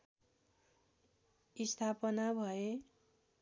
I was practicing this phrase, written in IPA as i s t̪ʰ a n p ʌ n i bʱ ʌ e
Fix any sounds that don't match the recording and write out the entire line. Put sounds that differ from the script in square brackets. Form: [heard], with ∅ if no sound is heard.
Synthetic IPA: i s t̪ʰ a [∅] p ʌ n [a] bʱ ʌ e